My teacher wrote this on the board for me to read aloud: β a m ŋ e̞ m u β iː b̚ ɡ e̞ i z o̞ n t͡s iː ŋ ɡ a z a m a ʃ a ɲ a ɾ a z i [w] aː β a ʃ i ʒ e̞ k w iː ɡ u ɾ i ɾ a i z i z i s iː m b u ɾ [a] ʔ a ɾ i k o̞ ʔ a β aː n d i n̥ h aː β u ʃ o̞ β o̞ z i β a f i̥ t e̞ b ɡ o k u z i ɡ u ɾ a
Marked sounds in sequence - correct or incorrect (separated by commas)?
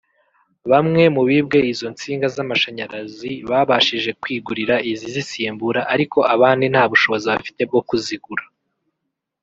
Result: incorrect, correct